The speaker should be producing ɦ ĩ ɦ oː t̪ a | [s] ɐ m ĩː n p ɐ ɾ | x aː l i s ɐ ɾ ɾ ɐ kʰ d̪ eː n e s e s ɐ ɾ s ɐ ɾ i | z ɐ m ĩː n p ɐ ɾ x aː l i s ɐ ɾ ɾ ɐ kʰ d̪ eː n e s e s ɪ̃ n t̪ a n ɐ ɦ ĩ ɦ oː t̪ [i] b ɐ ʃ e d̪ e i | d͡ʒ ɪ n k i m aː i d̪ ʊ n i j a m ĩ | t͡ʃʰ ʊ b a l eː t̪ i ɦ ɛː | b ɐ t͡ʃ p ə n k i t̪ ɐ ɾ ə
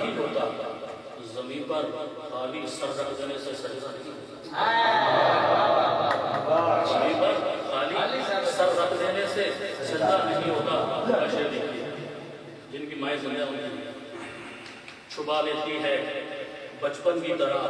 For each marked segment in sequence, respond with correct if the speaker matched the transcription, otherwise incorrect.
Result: incorrect: z, incorrect: a

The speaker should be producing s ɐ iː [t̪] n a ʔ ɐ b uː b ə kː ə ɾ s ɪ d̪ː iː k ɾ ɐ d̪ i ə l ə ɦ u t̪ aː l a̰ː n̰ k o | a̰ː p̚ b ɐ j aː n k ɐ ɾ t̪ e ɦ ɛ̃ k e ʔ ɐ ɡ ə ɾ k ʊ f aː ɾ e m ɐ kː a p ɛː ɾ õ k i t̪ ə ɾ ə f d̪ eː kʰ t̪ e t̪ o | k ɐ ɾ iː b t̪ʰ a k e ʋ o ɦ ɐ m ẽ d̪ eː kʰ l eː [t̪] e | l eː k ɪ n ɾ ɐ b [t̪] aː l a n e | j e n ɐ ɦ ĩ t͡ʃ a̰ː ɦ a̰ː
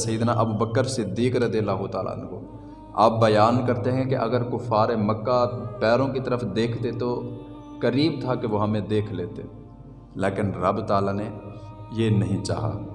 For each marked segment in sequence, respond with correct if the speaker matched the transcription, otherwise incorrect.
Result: incorrect: d̪, correct, correct

